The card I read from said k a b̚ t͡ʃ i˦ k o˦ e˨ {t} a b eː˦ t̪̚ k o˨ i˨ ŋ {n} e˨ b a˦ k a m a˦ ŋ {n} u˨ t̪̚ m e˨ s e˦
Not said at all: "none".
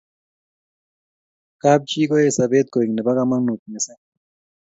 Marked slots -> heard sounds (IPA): s, n, n

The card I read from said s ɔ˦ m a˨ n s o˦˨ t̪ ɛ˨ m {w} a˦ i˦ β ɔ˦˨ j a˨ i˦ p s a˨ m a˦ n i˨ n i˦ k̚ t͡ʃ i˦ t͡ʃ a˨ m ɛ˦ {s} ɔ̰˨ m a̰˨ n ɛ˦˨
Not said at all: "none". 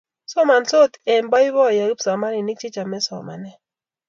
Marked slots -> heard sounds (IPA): b, s

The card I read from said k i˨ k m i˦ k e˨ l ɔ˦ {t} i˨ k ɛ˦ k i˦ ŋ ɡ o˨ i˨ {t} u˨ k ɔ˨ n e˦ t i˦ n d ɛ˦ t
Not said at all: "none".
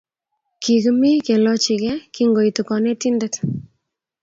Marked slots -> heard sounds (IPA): t͡ʃ, t

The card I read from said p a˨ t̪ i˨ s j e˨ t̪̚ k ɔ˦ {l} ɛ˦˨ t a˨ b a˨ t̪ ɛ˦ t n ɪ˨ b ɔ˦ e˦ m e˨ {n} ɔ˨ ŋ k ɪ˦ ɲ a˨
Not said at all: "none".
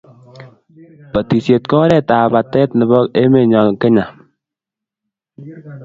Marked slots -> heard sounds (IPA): ɾ, ɲ

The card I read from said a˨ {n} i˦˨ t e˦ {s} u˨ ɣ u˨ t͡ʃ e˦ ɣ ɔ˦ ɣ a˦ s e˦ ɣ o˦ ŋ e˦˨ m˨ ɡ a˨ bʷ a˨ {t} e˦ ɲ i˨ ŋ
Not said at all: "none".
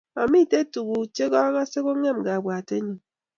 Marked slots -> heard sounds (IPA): m, t, t

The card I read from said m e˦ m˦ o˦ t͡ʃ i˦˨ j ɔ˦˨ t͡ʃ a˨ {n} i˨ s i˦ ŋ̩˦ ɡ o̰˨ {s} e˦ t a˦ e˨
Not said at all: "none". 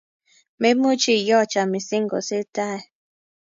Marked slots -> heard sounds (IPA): m, s

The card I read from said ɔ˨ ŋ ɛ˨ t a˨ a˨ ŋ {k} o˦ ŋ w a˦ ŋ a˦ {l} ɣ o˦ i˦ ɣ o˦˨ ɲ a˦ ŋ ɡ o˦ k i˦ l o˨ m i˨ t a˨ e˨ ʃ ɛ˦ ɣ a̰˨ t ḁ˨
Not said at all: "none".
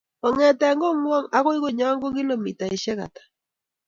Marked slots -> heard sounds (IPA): ɡ, none

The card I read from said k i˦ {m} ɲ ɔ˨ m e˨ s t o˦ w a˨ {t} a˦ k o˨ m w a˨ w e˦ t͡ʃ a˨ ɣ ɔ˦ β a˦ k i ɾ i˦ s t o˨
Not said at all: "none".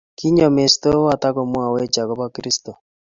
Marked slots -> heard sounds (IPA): none, t

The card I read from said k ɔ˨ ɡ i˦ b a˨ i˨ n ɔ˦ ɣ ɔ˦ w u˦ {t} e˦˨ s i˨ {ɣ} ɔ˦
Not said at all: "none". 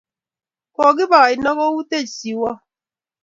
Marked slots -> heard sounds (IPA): t, w

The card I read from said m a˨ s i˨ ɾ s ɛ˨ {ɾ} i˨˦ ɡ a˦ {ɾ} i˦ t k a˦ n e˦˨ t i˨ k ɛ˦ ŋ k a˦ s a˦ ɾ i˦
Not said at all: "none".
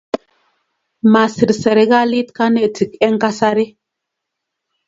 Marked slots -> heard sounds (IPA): ɾ, l

